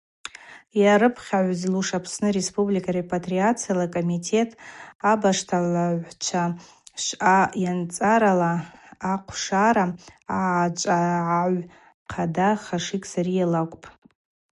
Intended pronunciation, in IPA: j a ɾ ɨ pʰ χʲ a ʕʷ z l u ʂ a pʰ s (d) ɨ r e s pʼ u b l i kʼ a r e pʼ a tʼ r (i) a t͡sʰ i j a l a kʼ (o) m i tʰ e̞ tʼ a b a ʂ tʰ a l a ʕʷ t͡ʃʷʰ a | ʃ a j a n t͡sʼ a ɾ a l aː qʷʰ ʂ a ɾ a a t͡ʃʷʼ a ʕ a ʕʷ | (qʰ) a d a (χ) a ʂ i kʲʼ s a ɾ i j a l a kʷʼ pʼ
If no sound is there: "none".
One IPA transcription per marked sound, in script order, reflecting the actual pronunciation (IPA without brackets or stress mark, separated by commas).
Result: n, i, o, qʰ, χ